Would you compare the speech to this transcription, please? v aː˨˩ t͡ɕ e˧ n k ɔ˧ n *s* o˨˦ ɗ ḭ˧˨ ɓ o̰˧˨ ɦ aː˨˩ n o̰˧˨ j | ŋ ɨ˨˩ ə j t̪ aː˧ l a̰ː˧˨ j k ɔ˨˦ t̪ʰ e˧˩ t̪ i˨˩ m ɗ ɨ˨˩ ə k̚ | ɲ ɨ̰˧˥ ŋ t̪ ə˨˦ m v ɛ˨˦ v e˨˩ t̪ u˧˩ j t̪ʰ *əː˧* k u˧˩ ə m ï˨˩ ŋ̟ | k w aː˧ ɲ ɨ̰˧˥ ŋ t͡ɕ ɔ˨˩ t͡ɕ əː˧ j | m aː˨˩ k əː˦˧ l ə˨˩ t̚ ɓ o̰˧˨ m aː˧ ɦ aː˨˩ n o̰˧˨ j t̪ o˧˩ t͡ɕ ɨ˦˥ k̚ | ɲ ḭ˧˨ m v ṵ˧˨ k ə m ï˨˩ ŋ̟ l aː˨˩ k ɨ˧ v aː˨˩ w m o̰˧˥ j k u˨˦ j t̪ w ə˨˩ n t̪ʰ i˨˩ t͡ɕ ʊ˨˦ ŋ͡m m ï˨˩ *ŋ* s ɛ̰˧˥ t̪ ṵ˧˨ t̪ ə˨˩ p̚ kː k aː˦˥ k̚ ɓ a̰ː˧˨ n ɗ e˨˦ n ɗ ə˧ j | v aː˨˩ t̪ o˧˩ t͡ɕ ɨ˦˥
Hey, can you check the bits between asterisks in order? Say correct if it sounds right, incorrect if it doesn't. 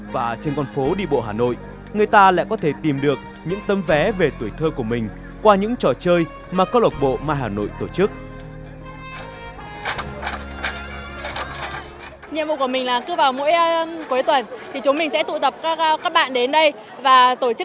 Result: incorrect: f, correct, correct

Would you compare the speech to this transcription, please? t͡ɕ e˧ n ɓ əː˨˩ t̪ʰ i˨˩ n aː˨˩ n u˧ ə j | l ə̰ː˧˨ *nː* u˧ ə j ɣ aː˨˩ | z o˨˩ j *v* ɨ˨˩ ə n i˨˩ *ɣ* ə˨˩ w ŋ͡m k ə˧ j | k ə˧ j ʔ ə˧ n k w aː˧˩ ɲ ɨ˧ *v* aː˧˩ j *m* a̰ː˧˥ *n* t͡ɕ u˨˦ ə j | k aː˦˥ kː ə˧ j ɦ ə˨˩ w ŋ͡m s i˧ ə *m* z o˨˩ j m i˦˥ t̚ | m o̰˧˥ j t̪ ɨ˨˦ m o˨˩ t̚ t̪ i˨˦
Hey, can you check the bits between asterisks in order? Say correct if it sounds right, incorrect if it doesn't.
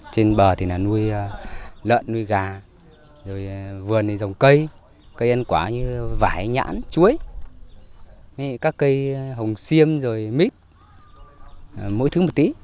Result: correct, correct, incorrect: z, correct, incorrect: ɲ, correct, correct

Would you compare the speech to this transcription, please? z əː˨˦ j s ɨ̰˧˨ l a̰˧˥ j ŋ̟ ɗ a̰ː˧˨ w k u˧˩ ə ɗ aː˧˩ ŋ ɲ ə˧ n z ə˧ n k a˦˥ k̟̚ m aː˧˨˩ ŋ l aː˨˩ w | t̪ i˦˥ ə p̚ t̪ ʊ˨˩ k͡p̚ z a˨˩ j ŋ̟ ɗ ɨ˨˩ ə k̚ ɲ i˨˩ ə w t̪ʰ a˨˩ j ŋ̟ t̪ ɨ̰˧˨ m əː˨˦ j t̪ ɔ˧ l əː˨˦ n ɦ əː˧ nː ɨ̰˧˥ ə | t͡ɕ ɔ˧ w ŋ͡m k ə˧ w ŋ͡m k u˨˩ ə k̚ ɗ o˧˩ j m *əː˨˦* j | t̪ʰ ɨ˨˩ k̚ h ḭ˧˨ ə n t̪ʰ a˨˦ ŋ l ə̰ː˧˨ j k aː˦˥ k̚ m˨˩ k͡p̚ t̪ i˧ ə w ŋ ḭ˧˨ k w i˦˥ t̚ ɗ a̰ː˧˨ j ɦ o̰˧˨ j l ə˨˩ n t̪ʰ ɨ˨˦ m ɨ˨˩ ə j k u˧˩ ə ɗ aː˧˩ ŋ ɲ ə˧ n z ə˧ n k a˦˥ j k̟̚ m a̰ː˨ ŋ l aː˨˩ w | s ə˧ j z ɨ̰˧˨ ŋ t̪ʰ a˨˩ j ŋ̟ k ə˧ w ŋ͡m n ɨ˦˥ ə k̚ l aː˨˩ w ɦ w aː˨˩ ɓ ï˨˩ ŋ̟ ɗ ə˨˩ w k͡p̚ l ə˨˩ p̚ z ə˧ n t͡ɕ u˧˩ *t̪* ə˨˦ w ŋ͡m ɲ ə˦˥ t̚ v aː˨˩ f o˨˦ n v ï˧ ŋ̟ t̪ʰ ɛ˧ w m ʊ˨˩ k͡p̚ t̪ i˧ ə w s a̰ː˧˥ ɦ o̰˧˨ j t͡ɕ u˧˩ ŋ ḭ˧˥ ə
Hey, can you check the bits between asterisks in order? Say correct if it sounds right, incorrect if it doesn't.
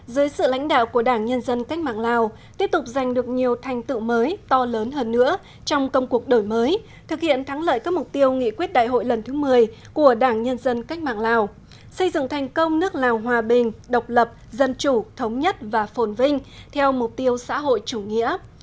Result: correct, incorrect: t̪ʰ

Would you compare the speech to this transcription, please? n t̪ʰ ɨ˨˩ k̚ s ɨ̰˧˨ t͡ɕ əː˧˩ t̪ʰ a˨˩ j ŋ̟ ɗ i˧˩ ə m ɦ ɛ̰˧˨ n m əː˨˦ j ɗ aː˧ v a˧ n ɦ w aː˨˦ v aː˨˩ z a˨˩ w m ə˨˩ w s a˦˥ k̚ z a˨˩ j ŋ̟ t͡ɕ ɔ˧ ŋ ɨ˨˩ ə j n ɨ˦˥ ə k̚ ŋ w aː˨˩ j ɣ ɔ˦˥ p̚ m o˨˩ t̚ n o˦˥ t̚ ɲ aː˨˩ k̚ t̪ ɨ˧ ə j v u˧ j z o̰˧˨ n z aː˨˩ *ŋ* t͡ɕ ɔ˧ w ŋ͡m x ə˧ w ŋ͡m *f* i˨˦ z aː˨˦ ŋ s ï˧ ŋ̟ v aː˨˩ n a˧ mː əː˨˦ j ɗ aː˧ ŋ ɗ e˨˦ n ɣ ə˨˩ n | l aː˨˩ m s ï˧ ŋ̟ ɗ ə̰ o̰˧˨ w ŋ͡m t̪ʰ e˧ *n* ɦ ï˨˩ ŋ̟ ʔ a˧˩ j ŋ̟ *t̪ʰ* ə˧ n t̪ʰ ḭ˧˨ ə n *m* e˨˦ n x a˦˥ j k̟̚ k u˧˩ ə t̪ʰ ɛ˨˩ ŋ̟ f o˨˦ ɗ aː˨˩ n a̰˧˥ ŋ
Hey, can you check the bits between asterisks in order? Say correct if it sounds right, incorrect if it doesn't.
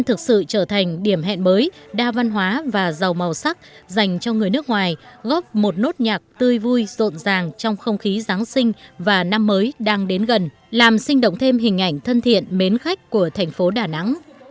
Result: correct, incorrect: x, incorrect: m, correct, correct

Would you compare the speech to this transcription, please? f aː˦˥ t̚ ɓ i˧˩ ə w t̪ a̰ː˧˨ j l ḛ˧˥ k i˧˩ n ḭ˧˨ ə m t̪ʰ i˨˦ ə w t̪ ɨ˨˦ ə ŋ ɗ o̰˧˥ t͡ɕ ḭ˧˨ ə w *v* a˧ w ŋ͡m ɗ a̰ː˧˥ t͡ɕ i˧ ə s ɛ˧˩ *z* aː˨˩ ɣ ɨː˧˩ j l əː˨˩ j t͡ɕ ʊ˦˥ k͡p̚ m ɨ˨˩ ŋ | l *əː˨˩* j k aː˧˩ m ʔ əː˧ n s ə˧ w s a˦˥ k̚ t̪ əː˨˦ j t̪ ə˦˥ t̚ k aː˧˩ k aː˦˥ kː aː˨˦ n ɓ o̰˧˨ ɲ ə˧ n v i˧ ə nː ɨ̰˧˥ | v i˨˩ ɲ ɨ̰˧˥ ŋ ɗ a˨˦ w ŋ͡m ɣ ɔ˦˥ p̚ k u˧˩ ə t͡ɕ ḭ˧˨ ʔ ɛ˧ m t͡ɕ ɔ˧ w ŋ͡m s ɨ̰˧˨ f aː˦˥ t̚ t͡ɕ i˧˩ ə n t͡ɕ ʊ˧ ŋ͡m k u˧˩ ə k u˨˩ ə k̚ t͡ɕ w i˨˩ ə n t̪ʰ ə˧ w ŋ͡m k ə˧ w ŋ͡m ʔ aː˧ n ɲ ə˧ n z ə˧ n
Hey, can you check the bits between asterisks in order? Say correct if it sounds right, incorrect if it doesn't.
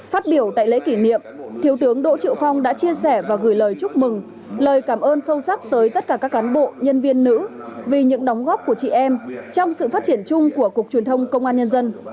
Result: incorrect: f, incorrect: v, correct

